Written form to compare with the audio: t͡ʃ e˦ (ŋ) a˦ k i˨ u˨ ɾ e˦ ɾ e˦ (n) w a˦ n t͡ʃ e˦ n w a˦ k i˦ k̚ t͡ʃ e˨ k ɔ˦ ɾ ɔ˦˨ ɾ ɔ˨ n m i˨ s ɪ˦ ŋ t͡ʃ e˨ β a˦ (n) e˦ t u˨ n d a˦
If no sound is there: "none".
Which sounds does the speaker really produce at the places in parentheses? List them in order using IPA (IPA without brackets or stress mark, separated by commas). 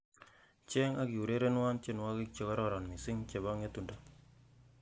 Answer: ŋ, n, ŋ